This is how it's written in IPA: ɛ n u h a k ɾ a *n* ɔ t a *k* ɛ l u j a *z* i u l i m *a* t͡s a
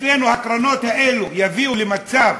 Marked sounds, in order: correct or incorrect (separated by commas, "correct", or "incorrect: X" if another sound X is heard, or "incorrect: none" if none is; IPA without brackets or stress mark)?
correct, incorrect: none, incorrect: v, correct